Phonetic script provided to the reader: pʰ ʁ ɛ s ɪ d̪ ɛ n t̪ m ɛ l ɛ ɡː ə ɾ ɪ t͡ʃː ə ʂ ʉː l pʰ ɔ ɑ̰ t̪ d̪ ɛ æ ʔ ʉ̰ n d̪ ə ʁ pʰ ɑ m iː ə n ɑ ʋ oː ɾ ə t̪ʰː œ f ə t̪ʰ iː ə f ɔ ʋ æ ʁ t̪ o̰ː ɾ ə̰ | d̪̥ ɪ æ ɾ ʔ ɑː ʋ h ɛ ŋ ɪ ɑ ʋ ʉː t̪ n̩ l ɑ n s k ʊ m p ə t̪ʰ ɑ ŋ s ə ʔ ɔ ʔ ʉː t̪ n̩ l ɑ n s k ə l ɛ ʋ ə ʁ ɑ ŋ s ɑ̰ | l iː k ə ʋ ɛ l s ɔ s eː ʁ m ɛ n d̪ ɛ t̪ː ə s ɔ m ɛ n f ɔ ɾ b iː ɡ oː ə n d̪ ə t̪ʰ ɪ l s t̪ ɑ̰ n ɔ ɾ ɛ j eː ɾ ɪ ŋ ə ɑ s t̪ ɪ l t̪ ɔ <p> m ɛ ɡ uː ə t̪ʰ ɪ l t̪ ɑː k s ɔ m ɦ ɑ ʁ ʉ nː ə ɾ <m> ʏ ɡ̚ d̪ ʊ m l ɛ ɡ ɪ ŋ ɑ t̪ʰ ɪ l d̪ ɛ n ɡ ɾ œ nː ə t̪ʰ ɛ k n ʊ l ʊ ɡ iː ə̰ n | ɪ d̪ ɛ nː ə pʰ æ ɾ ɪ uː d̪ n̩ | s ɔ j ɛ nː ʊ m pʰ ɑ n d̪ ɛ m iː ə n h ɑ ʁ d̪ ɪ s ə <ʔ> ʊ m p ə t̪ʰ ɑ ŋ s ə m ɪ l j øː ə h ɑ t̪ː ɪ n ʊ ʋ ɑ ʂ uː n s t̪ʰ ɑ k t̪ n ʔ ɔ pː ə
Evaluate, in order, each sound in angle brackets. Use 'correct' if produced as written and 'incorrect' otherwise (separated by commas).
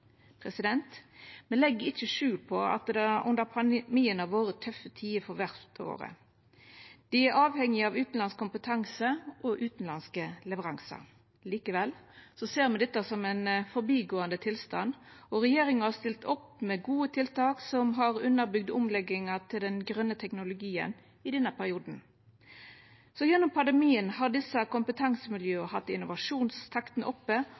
correct, incorrect, incorrect